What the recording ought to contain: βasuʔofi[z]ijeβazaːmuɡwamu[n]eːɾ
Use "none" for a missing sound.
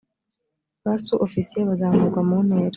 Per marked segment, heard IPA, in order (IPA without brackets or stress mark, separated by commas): s, n